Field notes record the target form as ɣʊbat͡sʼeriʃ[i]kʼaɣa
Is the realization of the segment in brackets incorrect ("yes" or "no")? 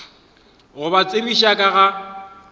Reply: yes